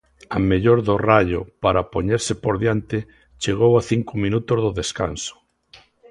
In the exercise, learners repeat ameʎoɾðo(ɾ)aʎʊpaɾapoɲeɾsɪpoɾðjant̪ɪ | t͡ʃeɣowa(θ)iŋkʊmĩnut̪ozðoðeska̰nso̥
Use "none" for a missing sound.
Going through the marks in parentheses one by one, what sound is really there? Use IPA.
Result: r, θ

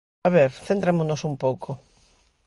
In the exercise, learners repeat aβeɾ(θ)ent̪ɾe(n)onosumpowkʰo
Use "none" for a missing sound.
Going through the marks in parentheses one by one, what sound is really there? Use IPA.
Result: θ, m

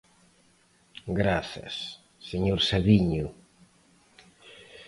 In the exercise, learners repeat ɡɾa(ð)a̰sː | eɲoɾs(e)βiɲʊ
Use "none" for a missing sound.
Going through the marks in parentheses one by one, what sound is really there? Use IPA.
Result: θ, a

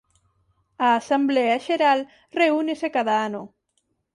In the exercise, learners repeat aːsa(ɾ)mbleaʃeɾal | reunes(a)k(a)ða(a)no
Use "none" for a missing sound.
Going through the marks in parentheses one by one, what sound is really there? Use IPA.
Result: none, e, a, a

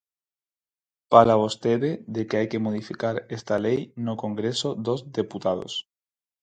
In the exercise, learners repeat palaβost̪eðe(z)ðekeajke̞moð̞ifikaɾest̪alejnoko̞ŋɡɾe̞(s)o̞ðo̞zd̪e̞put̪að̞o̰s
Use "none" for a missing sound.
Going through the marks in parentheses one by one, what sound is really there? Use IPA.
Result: none, s

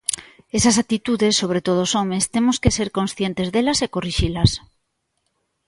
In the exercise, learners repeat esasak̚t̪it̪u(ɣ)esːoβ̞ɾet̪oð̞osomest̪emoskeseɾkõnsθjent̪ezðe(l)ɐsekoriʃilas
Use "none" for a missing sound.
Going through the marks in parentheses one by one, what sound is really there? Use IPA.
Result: ð, l

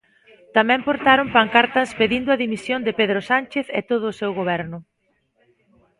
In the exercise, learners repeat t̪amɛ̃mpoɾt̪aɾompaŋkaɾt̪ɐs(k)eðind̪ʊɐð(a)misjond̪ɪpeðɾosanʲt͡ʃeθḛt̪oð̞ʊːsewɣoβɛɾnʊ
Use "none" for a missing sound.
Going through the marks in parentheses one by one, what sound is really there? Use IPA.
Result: p, i

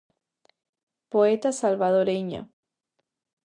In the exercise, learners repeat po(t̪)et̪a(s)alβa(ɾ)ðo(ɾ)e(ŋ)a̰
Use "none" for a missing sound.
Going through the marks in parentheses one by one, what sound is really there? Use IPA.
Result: none, s, none, ɾ, ɲ

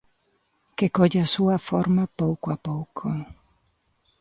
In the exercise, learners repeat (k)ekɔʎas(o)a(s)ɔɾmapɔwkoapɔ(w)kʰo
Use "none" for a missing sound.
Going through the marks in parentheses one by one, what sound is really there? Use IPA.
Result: k, u, f, w

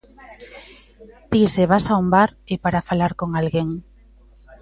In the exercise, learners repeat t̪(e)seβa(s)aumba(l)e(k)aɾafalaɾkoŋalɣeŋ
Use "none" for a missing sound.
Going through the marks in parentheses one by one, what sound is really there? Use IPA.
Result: i, s, ɾ, p

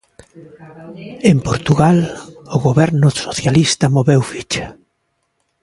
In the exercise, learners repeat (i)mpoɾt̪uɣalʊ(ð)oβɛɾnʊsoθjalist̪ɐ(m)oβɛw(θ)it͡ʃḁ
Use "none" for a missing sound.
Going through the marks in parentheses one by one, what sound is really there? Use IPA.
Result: e, ɣ, m, f

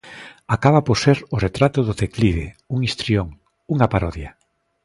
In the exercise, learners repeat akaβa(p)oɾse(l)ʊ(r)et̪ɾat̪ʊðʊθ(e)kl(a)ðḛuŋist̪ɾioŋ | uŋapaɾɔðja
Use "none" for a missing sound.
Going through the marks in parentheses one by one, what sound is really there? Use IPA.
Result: p, ɾ, r, e, i

